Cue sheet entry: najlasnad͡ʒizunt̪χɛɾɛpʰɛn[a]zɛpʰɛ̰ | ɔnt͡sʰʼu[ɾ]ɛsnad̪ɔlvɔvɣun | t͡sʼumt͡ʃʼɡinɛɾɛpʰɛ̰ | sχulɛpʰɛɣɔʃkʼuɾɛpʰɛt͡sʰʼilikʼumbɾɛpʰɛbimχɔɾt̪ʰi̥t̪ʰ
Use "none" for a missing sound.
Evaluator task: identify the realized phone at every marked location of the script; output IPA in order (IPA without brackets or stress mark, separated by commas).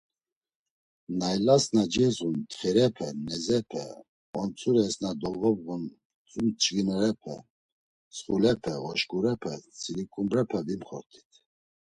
ɛ, ɾ